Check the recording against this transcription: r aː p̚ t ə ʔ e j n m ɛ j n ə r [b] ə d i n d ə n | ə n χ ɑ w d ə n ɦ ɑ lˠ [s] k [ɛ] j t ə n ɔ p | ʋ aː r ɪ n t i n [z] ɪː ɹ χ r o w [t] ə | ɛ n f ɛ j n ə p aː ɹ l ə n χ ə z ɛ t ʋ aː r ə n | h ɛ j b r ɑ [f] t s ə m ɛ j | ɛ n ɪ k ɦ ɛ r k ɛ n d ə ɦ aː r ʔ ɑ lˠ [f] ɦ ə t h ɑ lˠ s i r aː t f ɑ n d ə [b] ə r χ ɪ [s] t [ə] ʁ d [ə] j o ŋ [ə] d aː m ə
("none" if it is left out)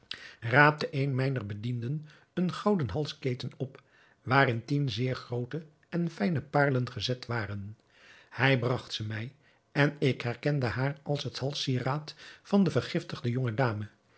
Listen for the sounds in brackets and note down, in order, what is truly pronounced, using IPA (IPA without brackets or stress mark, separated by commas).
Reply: b, s, e, z, t, χ, s, v, f, ə, ə, ə